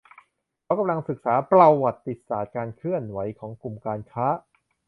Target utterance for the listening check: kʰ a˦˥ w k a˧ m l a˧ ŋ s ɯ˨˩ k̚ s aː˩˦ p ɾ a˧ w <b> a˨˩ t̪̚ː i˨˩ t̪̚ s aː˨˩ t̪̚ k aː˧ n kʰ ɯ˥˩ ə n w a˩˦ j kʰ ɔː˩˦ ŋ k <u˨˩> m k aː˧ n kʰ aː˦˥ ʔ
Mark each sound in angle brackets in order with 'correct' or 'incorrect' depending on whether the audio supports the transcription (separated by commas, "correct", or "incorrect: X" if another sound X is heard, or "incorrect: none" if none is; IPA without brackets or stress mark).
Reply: incorrect: w, correct